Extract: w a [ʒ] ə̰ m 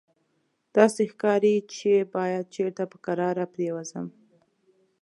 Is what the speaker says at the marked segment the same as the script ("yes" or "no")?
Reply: no